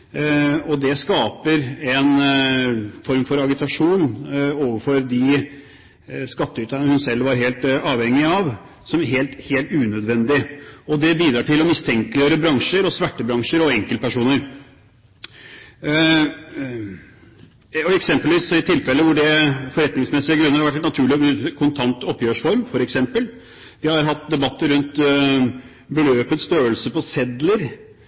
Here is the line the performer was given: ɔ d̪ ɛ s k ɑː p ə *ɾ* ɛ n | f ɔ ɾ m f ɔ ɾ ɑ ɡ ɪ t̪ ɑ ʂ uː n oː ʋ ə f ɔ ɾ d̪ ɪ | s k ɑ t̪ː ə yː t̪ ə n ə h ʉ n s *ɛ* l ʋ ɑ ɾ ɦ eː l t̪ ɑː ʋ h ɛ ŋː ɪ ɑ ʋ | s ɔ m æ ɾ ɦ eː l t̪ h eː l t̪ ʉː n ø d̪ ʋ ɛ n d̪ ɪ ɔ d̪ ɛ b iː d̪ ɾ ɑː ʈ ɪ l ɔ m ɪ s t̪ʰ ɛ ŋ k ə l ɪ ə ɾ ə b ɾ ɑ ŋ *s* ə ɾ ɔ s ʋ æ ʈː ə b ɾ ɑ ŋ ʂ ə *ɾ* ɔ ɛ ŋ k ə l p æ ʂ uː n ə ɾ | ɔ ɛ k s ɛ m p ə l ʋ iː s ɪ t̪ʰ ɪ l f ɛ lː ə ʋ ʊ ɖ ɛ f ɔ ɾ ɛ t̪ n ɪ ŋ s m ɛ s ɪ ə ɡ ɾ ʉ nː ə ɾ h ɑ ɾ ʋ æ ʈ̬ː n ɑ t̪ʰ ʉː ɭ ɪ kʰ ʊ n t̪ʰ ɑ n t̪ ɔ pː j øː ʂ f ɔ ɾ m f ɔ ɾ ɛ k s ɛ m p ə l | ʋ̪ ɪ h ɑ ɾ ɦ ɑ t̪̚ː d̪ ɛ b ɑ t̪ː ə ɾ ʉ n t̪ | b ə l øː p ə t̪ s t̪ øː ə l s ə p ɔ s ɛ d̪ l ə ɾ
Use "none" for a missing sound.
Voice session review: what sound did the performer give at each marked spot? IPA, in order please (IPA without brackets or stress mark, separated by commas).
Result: ɾ, ɛ, ʂ, ɾ